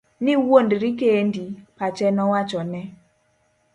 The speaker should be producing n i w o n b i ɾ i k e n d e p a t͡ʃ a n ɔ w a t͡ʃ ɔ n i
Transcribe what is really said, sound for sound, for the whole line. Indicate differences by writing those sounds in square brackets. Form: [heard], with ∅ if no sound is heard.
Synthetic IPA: n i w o n [d] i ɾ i k e n d [i] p a t͡ʃ [ɛ] n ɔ w a t͡ʃ ɔ n [ɛ]